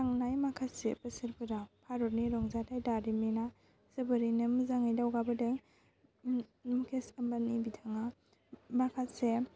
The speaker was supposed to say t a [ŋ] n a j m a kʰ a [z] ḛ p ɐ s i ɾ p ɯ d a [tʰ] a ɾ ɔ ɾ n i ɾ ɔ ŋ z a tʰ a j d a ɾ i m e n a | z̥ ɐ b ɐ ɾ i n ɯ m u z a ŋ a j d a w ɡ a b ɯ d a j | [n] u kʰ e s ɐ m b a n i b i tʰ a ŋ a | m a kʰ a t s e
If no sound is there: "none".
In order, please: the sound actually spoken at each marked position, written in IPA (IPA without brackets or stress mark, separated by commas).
ŋ, s, pʰ, m